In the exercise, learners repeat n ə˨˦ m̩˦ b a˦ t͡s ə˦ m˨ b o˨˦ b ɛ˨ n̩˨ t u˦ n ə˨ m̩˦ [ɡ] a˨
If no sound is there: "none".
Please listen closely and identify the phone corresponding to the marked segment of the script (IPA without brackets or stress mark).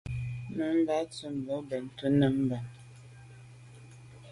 b